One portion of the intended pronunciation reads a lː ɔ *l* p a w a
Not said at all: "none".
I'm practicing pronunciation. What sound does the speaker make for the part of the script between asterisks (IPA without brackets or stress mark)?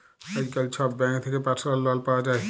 l